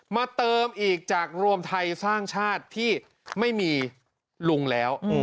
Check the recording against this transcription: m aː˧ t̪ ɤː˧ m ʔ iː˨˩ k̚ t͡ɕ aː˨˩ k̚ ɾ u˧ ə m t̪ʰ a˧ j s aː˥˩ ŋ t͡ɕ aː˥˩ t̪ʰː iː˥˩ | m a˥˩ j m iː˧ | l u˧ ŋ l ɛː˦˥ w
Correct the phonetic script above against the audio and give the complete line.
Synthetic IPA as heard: m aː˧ t̪ ɤː˧ m ʔ iː˨˩ k̚ t͡ɕ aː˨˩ k̚ ɾ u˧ ə m t̪ʰ a˧ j s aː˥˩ ŋ t͡ɕʰ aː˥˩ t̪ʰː iː˥˩ | m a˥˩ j m iː˧ | l u˧ ŋ l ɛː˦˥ w